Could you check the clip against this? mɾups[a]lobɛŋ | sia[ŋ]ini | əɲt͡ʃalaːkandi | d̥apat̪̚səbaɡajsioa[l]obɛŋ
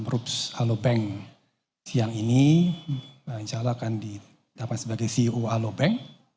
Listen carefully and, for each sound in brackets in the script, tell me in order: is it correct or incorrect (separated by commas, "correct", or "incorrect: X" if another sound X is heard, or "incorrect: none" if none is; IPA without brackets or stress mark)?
correct, correct, correct